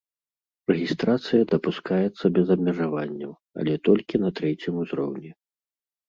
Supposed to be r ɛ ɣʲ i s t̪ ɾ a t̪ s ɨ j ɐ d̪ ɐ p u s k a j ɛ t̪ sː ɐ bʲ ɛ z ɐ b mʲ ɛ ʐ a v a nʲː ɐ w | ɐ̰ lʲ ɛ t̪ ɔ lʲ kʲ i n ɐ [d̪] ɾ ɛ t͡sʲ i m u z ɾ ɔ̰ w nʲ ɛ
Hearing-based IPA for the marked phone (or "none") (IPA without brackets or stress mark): t̪